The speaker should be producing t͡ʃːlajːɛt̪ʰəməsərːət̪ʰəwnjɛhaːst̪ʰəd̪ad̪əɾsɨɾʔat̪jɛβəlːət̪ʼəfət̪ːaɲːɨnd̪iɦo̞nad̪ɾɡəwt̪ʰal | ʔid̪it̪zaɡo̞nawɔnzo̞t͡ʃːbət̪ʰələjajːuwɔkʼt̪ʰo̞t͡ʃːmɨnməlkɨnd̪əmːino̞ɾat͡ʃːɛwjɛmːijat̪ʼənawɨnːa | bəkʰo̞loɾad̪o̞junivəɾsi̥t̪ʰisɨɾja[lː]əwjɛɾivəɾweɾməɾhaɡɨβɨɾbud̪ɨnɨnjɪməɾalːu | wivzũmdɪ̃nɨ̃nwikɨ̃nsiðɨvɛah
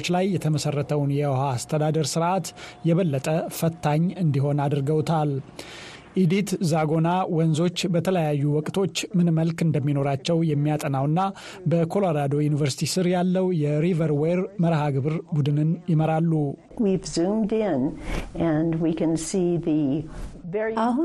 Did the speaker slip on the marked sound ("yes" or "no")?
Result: no